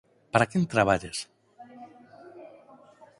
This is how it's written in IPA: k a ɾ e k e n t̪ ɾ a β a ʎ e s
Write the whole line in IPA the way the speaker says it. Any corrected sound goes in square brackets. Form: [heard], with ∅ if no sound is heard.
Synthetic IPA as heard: [p] a ɾ [a] k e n t̪ ɾ a β a ʎ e s